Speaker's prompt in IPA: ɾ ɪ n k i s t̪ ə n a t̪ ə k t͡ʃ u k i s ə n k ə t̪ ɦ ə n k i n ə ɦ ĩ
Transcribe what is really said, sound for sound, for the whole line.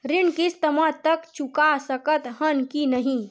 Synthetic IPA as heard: ɾ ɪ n k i s t̪ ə m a t̪ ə k t͡ʃ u k a s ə k ə t̪ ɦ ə n k i n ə ɦ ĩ